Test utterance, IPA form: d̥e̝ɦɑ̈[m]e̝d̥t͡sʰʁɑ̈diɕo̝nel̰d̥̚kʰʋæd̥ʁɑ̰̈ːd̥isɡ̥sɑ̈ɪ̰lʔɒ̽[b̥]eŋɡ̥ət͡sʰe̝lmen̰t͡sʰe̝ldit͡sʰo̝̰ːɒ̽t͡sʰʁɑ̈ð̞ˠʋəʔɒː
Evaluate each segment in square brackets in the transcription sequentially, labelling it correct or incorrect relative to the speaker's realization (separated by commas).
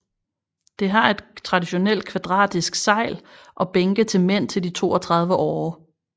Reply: incorrect, correct